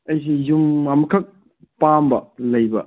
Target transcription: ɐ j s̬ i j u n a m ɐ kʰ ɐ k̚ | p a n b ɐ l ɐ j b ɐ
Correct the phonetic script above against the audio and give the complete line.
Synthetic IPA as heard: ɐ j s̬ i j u m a m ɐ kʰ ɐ k̚ | p a m b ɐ l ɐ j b ɐ